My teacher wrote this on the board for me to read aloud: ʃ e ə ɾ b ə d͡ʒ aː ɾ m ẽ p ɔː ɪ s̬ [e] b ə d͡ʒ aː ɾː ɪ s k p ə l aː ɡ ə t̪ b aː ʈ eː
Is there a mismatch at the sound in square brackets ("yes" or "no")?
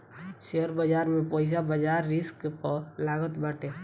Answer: yes